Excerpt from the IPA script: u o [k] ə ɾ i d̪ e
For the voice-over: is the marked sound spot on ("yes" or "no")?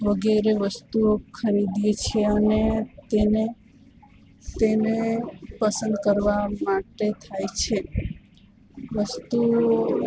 no